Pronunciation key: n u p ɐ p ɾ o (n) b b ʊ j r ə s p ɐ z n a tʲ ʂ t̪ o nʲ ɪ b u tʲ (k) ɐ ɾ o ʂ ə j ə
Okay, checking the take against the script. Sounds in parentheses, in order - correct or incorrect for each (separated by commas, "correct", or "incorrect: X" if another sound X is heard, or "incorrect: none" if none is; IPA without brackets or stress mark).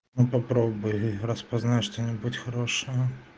incorrect: none, incorrect: x